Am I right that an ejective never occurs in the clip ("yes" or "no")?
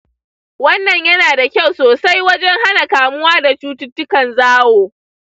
yes